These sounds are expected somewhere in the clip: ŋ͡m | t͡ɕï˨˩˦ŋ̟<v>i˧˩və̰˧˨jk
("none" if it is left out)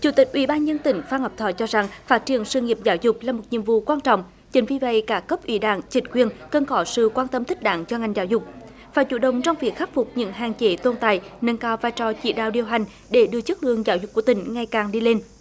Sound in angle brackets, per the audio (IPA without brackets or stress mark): v